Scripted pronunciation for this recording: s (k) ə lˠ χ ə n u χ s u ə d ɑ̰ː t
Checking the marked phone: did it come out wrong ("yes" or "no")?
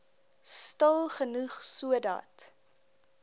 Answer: yes